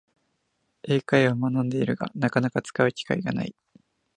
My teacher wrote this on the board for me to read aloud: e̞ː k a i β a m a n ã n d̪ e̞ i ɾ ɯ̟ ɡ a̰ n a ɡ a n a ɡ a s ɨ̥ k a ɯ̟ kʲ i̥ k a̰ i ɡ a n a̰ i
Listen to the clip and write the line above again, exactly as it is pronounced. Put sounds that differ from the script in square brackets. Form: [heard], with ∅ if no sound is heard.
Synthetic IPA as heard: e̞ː k a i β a m a n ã n d̪ e̞ i ɾ ɯ̟ ɡ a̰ n a [k] a n a [k] a [t͡s] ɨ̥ k a ɯ̟ kʲ i̥ k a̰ i ɡ a n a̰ i

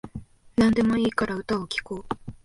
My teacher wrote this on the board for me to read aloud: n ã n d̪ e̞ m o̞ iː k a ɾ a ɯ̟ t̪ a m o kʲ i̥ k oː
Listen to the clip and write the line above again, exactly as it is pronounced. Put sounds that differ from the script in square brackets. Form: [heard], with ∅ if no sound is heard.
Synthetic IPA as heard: n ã n d̪ e̞ m o̞ iː k a ɾ a ɯ̟ t̪ a [∅] o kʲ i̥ k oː

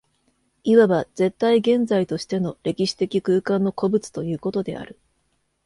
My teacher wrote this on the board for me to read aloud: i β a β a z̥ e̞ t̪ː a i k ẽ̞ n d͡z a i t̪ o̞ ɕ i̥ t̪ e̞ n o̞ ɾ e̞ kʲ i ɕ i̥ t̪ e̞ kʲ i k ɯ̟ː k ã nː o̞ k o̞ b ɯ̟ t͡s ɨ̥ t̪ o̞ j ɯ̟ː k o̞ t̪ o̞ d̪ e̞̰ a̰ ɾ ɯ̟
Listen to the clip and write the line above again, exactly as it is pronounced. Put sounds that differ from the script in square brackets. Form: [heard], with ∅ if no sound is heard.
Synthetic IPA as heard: i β a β a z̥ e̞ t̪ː a i [ɡ] ẽ̞ n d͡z a i t̪ o̞ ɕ i̥ t̪ e̞ n o̞ ɾ e̞ kʲ i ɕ i̥ t̪ e̞ kʲ i k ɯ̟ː k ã nː o̞ k o̞ b ɯ̟ t͡s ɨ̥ t̪ o̞ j ɯ̟ː k o̞ t̪ o̞ d̪ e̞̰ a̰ ɾ ɯ̟

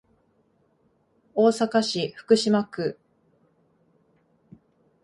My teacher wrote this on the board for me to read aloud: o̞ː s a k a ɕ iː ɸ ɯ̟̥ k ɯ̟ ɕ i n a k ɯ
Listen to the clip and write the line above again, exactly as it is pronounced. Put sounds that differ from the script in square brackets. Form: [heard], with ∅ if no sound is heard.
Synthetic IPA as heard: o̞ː s a k a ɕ [i] ɸ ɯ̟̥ k ɯ̟ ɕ i [m] a k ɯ

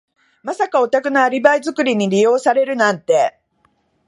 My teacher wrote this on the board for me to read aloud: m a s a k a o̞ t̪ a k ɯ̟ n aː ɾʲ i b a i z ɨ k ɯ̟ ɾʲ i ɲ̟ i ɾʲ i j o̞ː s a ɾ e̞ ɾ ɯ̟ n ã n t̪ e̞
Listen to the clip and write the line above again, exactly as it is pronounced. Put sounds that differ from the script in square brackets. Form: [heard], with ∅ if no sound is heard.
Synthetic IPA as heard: m a s a k a o̞ t̪ a k ɯ̟ n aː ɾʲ i b a i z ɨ k ɯ̟ ɾʲ i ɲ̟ i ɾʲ i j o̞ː s a ɾ e̞ ɾ ɯ̟ n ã n t̪ e̞

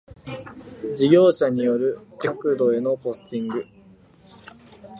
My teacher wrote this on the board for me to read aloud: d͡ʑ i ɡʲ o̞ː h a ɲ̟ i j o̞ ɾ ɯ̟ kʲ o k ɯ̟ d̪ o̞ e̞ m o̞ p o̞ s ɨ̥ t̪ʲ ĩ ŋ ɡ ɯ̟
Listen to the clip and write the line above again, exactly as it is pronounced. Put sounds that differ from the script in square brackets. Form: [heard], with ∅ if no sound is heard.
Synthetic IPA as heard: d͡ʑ i ɡʲ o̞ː [ɕ] a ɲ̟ i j o̞ ɾ ɯ̟ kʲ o k ɯ̟ d̪ o̞ e̞ [n] o̞ p o̞ s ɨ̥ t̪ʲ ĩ ŋ ɡ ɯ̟

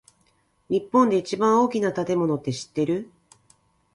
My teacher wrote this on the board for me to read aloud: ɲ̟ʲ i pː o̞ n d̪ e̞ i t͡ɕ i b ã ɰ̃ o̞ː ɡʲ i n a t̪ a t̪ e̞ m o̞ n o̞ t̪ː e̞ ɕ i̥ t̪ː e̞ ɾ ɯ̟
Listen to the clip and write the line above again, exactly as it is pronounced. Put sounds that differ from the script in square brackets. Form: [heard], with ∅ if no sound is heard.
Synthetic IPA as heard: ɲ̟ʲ i pː [õ̞] n d̪ e̞ i t͡ɕ i b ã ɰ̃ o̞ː [kʲ] i n a t̪ a t̪ e̞ m o̞ n o̞ t̪ː e̞ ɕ i̥ t̪ː e̞ ɾ ɯ̟

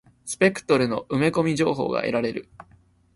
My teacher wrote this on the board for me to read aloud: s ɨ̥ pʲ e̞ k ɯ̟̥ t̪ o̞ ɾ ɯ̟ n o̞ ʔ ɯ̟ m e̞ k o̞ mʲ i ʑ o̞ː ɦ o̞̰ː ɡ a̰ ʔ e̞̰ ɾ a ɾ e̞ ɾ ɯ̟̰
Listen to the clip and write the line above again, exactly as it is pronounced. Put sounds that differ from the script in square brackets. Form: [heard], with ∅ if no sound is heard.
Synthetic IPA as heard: s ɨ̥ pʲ e̞ k ɯ̟̥ t̪ o̞ ɾ ɯ̟ n o̞ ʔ ɯ̟ m e̞ k o̞ mʲ i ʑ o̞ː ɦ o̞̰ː ɡ a̰ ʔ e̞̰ ɾ a ɾ e̞ ɾ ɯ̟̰

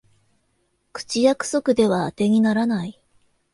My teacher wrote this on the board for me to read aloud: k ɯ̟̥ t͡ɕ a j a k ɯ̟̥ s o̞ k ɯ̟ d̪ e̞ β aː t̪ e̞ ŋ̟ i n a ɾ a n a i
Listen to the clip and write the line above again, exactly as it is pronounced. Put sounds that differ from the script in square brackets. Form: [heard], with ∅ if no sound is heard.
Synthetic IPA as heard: k ɯ̟̥ t͡ɕ [i] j a k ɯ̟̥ s o̞ k ɯ̟ d̪ e̞ β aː t̪ e̞ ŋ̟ i n a ɾ a n a i

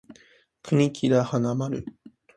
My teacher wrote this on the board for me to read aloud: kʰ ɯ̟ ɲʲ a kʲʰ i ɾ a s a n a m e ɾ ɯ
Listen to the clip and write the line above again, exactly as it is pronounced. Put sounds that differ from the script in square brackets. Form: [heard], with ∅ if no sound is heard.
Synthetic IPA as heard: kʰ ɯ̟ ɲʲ [i] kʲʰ i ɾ a [h] a n a m [a] ɾ ɯ

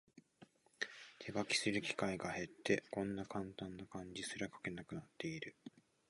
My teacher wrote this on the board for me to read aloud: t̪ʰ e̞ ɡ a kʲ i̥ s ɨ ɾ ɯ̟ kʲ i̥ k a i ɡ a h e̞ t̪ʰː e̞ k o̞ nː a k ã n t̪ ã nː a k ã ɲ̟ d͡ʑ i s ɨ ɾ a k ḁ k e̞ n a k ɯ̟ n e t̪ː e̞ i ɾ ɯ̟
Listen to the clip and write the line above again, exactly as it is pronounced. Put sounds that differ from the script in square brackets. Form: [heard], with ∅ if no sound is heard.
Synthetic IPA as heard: t̪ʰ e̞ ɡ a kʲ i̥ s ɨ ɾ ɯ̟ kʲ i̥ k a i ɡ a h e̞ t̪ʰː e̞ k [õ̞] nː a k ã n t̪ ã nː a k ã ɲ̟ d͡ʑ i s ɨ ɾ a k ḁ k e̞ n a k ɯ̟ n [a] t̪ː e̞ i ɾ ɯ̟

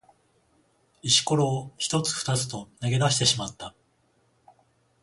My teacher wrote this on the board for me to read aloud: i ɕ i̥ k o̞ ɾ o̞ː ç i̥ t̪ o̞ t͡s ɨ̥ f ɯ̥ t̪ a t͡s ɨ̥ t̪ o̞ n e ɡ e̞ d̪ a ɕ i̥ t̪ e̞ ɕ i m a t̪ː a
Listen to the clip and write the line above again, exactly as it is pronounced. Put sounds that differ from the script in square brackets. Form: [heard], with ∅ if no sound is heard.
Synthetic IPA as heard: i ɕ i̥ k o̞ ɾ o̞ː ç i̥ t̪ o̞ t͡s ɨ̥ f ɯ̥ t̪ a t͡s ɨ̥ t̪ o̞ n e ɡ e̞ d̪ a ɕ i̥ t̪ e̞ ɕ i m a t̪ː a

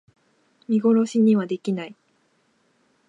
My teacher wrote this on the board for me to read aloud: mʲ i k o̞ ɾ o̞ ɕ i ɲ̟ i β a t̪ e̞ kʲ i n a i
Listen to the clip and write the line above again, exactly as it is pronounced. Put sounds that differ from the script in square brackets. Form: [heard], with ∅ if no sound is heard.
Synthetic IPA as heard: mʲ i [ɡ] o̞ ɾ o̞ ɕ i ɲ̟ i β a [d̪] e̞ kʲ i n a i

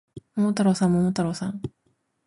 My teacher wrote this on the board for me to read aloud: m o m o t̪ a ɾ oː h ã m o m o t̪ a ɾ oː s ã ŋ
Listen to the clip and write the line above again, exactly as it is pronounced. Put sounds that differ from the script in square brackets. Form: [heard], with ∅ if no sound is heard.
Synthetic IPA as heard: m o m o t̪ a ɾ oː [s] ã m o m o t̪ a ɾ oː s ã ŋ

